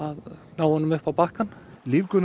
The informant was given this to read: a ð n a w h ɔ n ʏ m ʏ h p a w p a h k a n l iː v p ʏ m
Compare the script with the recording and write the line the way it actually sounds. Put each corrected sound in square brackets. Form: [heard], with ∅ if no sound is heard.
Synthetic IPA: a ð n a w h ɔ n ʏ m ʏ h p a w p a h k a n l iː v [k] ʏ [n]